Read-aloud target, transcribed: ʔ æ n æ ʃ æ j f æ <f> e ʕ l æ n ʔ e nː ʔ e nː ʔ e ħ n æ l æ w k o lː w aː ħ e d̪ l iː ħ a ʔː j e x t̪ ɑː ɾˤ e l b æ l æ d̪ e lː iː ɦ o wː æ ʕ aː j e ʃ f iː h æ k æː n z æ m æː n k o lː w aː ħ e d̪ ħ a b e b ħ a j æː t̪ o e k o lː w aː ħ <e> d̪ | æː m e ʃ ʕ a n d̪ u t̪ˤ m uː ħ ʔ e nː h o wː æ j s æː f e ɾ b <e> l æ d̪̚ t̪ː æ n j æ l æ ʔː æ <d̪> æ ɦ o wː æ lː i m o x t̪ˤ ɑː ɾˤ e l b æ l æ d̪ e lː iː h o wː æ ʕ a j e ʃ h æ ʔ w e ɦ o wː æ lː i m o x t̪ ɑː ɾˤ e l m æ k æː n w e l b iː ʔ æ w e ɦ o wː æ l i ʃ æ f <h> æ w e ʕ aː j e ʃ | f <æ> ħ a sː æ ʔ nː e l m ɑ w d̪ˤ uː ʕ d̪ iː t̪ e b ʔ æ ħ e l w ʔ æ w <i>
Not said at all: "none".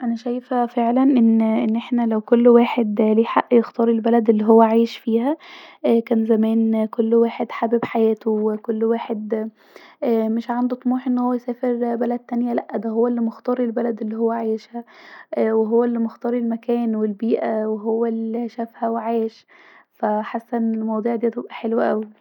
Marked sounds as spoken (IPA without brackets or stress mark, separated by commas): f, e, æ, d̪, h, æ, i